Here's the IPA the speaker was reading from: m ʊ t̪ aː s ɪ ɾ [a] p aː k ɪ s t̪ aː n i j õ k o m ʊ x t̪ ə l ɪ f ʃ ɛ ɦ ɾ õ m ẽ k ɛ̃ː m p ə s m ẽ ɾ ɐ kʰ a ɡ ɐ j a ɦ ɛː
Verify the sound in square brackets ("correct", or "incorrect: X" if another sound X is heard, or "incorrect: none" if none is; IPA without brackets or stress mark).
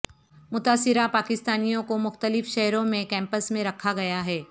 correct